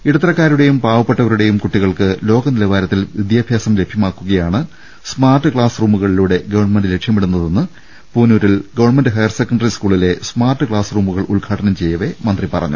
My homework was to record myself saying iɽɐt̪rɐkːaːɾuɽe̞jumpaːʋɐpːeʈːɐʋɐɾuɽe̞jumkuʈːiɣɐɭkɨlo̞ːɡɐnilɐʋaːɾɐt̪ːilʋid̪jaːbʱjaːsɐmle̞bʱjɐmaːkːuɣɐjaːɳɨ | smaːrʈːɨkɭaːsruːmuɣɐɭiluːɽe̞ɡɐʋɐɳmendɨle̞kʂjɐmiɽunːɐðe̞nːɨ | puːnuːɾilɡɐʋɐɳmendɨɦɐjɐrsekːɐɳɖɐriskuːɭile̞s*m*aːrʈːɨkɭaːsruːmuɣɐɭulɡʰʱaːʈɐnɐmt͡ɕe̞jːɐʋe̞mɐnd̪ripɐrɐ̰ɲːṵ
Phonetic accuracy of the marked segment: correct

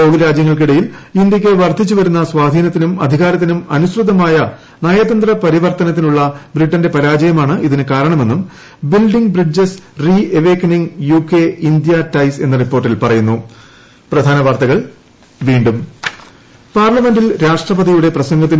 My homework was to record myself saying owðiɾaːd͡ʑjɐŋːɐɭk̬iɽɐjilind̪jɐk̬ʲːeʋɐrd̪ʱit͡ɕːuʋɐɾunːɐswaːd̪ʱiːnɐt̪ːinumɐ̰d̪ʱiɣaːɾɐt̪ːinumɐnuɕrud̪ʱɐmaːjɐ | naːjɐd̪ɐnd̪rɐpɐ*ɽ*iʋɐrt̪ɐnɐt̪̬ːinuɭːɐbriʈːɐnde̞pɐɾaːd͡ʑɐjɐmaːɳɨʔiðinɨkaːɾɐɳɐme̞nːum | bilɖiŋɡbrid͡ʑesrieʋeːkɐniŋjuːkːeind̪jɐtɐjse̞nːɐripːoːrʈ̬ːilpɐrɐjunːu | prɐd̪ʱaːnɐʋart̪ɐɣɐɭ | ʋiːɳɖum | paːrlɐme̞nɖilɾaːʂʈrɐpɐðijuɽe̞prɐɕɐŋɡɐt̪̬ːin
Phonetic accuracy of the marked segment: incorrect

